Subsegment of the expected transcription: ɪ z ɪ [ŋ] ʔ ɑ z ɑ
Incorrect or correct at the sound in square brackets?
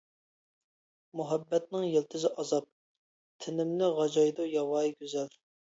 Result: incorrect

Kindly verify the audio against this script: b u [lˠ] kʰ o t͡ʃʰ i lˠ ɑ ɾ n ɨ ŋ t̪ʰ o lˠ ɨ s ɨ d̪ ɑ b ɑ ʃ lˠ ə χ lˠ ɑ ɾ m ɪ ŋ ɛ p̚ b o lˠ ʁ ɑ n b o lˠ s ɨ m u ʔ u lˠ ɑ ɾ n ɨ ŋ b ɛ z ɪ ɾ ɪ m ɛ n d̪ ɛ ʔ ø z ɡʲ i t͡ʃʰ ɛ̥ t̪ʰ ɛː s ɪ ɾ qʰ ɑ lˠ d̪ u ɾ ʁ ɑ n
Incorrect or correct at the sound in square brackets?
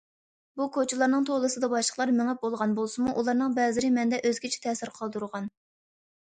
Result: incorrect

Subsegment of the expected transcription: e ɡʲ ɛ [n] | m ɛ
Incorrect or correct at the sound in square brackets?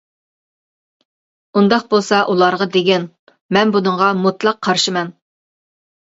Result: correct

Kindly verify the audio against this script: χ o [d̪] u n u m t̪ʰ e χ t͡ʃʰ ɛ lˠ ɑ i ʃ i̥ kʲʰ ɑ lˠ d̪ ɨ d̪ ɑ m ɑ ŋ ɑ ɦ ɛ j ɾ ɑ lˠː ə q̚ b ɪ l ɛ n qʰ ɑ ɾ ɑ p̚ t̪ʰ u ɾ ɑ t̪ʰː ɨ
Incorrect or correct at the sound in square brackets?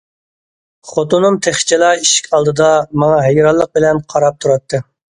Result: incorrect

